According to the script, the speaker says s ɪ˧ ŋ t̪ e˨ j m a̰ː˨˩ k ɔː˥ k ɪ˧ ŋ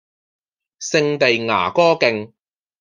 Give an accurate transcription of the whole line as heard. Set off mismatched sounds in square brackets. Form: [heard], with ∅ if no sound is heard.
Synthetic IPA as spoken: s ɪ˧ ŋ t̪ e˨ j [ŋ] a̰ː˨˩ k ɔː˥ k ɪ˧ ŋ